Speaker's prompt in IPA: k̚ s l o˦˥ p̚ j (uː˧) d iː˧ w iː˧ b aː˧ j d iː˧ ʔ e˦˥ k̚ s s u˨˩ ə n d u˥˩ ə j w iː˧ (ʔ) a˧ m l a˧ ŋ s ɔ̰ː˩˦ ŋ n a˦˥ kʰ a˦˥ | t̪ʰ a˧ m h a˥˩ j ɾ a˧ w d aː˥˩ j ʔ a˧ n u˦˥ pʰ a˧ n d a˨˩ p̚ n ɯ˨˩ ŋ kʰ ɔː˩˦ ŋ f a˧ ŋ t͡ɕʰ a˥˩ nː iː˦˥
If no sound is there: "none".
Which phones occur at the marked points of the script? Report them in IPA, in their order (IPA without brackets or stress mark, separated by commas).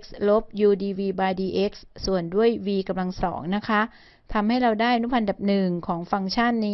uː˧, k